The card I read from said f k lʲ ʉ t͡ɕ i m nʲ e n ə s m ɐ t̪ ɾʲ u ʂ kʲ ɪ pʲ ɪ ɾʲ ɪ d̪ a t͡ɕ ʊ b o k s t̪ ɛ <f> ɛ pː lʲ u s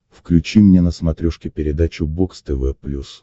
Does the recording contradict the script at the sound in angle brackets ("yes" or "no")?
yes